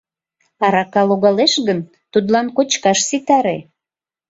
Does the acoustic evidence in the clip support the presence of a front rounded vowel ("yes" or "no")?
no